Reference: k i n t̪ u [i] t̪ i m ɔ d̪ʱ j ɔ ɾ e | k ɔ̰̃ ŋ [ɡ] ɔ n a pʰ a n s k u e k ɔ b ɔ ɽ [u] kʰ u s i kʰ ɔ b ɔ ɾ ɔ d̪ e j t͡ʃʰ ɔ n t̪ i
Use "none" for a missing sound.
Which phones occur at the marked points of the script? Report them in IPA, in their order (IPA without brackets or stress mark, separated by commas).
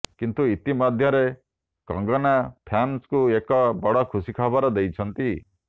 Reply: i, ɡ, ɔ